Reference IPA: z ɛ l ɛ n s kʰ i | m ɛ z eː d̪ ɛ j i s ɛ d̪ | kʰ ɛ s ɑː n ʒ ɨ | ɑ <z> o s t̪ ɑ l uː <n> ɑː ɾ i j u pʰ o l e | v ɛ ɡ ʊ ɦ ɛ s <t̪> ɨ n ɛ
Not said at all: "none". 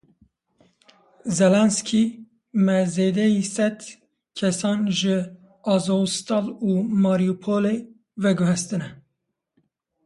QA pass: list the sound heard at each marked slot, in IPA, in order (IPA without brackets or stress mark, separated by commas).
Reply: z, m, t̪